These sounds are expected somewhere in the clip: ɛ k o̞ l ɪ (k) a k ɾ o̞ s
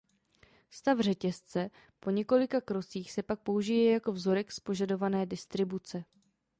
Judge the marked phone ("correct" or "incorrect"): correct